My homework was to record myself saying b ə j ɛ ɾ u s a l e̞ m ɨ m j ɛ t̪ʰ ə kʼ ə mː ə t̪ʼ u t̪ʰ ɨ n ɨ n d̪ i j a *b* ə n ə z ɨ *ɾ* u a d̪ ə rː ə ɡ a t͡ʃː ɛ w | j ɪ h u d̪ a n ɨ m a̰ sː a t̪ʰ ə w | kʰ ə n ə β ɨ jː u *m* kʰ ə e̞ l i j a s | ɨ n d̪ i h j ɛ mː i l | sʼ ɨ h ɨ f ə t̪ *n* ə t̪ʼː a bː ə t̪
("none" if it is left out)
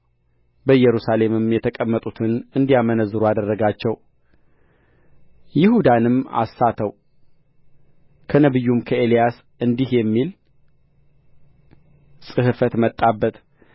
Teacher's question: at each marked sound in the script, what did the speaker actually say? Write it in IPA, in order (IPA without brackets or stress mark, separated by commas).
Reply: m, ɾ, m, m